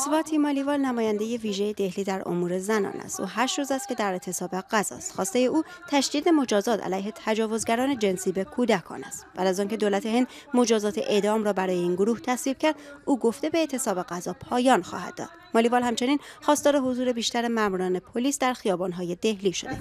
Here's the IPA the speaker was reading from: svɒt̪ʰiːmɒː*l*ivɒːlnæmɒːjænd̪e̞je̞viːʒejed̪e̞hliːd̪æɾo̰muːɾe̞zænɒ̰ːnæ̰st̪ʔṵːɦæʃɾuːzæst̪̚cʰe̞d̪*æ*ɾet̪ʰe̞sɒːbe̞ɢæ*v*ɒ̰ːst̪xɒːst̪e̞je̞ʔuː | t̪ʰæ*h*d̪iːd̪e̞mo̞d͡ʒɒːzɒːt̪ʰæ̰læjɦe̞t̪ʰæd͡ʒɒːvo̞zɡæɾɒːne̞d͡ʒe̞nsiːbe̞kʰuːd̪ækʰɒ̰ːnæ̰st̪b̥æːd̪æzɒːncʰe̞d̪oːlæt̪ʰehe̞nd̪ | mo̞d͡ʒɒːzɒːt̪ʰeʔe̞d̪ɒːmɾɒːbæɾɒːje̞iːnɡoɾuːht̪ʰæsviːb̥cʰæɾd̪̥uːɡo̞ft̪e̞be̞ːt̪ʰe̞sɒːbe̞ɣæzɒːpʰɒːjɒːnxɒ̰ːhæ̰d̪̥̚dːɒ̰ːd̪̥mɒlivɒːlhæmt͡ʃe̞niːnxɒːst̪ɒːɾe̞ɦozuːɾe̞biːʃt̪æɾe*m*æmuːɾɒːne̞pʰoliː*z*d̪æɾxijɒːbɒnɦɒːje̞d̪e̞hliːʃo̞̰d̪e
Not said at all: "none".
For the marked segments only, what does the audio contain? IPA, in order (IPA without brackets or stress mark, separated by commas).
l, æ, z, ʃ, m, s